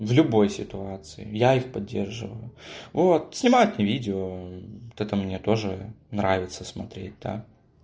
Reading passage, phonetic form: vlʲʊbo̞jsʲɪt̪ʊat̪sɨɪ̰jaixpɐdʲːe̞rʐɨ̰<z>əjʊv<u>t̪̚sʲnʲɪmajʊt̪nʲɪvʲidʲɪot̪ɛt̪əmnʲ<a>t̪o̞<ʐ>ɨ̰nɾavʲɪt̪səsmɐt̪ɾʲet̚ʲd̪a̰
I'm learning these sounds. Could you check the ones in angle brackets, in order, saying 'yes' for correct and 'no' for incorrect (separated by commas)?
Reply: no, no, no, yes